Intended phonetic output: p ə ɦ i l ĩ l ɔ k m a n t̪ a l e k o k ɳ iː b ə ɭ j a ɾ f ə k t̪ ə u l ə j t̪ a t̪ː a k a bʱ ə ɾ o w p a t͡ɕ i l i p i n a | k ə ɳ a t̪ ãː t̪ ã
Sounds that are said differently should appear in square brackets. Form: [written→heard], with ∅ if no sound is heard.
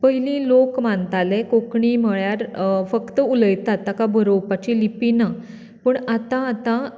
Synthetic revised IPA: p ə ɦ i l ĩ l [ɔ→o] k m a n t̪ a l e k o k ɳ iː [b→m] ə ɭ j a ɾ f ə k t̪ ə u l ə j t̪ a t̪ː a k a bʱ ə ɾ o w p a t͡ɕ i l i p i n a | [k→p] ə ɳ a t̪ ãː t̪ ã